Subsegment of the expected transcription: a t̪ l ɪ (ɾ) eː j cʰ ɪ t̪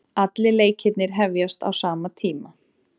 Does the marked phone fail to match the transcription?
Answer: yes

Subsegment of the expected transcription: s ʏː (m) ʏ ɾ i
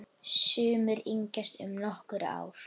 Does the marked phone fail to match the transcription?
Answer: no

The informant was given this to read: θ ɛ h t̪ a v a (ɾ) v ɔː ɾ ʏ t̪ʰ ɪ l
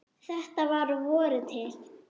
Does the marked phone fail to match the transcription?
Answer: no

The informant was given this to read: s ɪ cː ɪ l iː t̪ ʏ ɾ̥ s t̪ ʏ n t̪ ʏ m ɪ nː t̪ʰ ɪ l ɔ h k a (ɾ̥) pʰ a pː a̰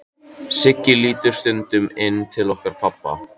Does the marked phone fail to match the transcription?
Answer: no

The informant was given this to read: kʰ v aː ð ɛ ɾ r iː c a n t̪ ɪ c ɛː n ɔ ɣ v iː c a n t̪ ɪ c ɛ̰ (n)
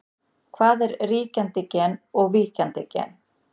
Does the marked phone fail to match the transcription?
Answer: no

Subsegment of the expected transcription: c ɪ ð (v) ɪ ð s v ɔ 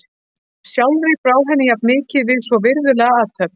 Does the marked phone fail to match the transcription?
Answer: no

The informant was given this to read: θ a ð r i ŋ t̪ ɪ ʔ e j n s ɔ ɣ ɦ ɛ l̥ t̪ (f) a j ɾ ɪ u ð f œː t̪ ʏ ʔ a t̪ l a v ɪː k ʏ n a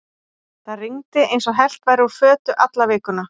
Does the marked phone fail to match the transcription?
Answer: yes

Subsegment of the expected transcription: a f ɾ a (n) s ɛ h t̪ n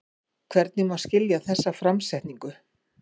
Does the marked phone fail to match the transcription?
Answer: yes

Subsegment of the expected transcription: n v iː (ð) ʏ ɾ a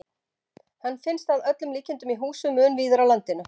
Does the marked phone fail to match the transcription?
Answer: no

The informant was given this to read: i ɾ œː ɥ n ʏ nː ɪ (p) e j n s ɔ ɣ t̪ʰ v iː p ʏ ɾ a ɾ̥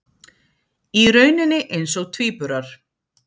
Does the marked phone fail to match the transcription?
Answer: yes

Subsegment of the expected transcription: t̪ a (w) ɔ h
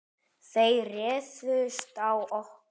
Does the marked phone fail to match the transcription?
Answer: no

